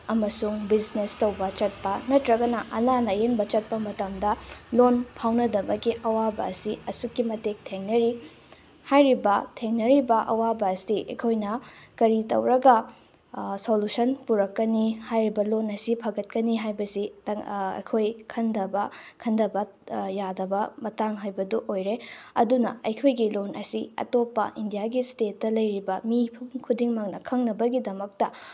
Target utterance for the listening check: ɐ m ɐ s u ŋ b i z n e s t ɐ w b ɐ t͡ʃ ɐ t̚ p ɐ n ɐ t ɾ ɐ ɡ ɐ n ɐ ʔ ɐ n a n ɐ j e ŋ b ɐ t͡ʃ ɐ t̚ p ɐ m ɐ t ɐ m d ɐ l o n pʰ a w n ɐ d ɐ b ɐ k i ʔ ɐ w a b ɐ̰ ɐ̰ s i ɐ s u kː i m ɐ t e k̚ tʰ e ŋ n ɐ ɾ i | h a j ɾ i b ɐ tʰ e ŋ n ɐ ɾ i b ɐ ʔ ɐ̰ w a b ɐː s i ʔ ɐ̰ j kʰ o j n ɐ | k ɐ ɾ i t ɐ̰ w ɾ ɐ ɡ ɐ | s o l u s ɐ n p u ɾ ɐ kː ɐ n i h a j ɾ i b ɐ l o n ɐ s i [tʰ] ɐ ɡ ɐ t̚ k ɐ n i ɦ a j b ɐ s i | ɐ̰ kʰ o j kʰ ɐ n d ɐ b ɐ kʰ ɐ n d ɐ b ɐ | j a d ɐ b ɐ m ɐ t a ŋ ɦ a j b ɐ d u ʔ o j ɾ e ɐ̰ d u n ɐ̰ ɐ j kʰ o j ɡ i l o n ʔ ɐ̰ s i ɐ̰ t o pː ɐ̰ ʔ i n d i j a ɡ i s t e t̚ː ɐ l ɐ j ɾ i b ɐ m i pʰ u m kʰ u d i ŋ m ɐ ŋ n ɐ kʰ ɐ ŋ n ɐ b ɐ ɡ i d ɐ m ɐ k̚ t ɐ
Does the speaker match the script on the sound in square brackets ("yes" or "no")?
no